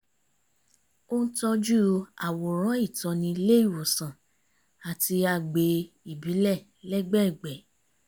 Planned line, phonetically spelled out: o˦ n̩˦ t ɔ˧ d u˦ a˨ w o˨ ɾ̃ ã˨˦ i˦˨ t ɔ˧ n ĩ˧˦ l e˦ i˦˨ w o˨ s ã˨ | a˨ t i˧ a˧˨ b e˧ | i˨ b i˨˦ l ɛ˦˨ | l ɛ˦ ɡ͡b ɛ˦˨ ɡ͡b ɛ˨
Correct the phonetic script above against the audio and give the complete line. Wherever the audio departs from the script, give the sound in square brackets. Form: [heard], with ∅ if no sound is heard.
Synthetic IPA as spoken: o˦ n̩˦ t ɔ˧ [d͡ʒ] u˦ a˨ w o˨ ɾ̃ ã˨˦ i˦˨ t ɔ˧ n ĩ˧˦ l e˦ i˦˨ w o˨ s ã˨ | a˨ t i˧ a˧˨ [ɡ͡b] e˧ | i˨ b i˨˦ l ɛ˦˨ | l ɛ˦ ɡ͡b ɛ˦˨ ɡ͡b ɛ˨